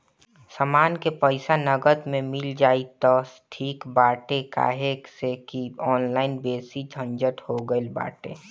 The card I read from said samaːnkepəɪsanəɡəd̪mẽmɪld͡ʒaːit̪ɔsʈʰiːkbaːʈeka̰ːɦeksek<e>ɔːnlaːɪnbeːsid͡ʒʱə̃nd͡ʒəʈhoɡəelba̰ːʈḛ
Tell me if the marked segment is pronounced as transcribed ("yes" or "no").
no